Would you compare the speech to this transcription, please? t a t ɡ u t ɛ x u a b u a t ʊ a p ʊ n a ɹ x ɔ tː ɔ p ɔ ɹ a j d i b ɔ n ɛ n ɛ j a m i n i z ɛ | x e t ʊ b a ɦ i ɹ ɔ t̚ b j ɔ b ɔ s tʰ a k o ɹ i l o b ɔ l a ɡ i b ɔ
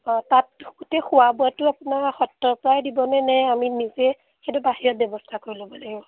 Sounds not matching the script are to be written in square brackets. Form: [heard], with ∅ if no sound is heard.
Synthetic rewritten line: t a t ɡ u t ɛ x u a b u a t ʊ a p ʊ n a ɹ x ɔ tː ɔ p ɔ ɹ a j d i b ɔ n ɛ n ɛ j a m i n i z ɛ | x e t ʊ b a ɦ i ɹ ɔ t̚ b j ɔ b ɔ s tʰ a k o ɹ i l o b ɔ l a ɡ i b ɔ

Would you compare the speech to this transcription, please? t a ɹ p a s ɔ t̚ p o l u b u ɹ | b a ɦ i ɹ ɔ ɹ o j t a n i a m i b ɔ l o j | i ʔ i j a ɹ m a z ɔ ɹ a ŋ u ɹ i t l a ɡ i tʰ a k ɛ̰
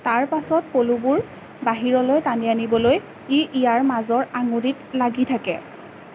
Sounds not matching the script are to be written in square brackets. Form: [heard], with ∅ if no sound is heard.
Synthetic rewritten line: t a ɹ p a s ɔ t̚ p o l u b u ɹ | b a ɦ i ɹ ɔ [l] o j t a n i a [n] i b ɔ l o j | i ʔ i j a ɹ m a z ɔ ɹ a ŋ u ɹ i t l a ɡ i tʰ a k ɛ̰

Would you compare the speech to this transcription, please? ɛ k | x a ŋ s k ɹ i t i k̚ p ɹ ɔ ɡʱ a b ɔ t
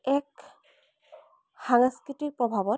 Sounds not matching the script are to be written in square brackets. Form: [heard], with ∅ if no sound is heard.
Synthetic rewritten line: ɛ k | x a ŋ s k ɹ i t i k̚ p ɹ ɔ [bʱ] a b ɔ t

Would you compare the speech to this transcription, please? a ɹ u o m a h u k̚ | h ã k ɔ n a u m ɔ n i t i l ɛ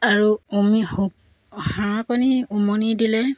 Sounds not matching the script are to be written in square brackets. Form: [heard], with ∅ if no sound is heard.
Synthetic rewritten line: a ɹ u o m [i] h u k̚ | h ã k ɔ n [i] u m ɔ n i [d] i l ɛ

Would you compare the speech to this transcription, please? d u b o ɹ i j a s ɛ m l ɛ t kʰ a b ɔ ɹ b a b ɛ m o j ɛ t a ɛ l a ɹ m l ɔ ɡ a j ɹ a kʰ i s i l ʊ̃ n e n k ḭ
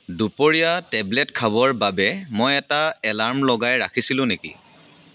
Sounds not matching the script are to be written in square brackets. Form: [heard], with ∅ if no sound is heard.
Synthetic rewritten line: d u [p] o ɹ i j a [t] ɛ [b] l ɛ t kʰ a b ɔ ɹ b a b ɛ m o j ɛ t a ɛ l a ɹ m l ɔ ɡ a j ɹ a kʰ i s i l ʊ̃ n e [∅] k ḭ

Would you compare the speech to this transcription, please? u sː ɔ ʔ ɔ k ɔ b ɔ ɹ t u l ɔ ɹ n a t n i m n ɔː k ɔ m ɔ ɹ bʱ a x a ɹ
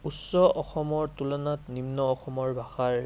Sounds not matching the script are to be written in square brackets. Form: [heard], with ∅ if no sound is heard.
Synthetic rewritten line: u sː ɔ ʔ ɔ [x] ɔ [m] ɔ ɹ t u l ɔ [∅] n a t n i m n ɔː [x] ɔ m ɔ ɹ bʱ a x a ɹ

